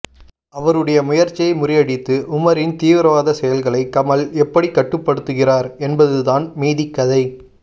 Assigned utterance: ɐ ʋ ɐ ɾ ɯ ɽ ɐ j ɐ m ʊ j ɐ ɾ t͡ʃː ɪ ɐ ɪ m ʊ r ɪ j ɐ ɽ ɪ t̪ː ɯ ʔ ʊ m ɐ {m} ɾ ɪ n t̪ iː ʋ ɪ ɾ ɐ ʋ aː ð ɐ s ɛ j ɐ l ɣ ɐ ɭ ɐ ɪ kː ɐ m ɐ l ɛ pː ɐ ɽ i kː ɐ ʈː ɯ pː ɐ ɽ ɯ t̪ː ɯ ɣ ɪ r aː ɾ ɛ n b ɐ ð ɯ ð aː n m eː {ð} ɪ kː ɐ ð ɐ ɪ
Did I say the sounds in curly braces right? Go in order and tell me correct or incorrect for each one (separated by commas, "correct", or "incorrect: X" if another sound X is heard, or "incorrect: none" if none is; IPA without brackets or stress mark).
incorrect: none, correct